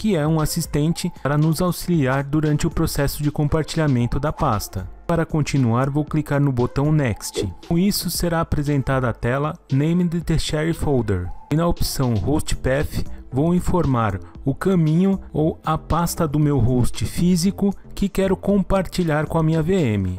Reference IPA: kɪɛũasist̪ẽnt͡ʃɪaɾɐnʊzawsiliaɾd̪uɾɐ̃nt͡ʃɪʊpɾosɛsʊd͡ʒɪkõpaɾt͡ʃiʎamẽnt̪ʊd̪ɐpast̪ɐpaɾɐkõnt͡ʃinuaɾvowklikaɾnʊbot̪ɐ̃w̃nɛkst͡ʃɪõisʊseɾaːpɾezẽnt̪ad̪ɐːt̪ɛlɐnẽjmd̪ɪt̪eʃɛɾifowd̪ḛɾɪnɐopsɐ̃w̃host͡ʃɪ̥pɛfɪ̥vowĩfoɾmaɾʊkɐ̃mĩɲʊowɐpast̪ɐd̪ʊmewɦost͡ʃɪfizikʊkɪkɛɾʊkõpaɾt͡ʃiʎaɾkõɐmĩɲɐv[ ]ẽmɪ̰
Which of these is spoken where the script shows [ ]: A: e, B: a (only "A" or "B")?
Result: A